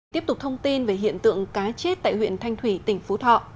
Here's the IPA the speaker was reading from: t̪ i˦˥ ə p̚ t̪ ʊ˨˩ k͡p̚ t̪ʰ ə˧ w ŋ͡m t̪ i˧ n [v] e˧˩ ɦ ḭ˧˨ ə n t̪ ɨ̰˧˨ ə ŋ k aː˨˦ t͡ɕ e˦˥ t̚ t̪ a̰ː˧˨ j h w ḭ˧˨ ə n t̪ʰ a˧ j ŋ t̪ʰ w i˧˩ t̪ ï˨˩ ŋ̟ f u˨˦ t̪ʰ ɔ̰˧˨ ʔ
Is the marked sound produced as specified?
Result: yes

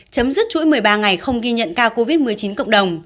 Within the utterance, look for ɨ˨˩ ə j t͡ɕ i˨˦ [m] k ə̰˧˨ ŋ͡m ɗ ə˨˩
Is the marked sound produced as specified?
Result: no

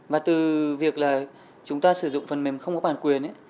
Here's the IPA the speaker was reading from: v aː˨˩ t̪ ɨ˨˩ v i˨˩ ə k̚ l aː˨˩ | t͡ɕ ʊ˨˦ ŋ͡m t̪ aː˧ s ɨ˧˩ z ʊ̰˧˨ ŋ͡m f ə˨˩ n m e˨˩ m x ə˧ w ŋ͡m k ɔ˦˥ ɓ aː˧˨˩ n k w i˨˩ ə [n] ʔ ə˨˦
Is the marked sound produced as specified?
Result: yes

